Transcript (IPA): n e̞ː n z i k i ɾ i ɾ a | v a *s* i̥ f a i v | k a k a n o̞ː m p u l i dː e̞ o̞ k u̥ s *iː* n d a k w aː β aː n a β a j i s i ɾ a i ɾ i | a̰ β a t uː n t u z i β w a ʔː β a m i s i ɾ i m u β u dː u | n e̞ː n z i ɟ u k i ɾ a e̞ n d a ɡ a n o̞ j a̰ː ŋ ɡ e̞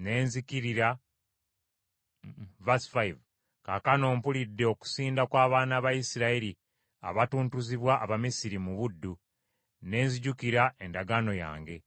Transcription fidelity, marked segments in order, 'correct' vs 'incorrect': correct, correct

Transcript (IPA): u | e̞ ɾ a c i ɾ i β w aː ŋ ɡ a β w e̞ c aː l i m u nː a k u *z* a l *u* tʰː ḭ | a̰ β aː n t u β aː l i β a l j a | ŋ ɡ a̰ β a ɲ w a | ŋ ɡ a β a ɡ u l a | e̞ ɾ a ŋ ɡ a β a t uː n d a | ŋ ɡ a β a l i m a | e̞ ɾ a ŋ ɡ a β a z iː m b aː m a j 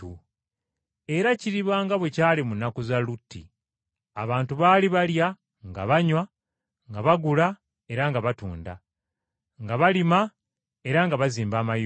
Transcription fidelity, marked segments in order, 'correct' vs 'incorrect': correct, correct

